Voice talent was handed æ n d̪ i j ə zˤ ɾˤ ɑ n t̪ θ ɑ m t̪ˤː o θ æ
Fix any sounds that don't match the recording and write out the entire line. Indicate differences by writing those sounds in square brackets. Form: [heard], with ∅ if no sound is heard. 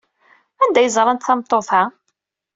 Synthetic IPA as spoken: æ n d̪ [æ] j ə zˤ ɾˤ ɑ n t̪ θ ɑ m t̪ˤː o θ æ